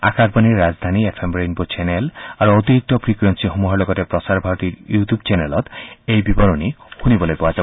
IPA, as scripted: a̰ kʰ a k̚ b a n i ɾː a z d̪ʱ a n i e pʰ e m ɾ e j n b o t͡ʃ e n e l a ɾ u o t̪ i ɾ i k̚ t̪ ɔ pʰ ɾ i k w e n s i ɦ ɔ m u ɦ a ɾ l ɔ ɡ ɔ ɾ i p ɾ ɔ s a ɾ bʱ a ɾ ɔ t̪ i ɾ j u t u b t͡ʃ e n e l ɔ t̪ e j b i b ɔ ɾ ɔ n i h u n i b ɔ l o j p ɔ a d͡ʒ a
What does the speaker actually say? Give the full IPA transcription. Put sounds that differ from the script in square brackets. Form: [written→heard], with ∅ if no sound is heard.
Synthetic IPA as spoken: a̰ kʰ a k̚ b a n i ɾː a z d̪ʱ a n i e pʰ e m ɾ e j n b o t͡ʃ e n e l a ɾ u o t̪ i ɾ i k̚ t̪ ɔ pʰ ɾ i k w e n s i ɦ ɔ m u ɦ a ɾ l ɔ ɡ ɔ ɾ [i→e] p ɾ ɔ s a ɾ bʱ a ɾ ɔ t̪ i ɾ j u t u b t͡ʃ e n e l ɔ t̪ e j b i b ɔ ɾ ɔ n i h u n i b ɔ l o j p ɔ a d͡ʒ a